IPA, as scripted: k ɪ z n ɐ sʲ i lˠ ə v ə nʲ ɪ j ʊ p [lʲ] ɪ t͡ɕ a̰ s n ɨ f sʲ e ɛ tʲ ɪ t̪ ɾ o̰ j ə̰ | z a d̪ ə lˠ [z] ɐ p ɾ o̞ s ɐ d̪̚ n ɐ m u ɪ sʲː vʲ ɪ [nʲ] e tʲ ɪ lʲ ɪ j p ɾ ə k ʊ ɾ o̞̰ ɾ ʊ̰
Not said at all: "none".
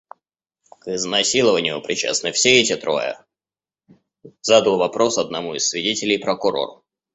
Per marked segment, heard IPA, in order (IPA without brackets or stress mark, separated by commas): ɾʲ, v, dʲ